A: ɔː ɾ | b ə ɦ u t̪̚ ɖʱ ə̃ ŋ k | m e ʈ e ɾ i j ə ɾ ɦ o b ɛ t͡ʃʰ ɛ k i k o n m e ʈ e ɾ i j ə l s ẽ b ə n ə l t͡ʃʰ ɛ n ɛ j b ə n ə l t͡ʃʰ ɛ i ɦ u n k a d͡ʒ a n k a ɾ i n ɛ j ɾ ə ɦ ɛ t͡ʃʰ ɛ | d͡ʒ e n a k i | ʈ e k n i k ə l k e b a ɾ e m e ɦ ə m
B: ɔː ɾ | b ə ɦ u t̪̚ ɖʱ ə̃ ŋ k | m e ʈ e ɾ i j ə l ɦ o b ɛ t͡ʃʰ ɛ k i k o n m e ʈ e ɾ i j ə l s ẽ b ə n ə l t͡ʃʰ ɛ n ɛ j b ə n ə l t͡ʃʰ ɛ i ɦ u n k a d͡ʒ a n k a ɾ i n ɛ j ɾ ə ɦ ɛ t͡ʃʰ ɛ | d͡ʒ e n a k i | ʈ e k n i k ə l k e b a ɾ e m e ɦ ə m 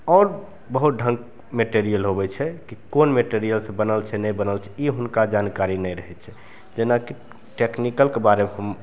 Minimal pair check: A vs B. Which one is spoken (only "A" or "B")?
B